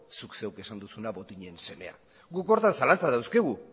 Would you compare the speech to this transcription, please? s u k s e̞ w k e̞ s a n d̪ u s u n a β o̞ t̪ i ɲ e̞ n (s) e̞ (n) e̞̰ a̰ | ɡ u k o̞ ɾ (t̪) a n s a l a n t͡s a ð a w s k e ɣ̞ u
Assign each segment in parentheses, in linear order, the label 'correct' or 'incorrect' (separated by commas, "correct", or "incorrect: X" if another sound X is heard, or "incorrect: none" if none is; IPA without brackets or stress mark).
correct, incorrect: m, correct